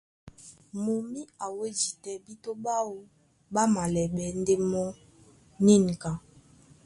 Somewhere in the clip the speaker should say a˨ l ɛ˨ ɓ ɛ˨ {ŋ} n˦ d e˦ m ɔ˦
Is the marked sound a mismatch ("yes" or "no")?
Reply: yes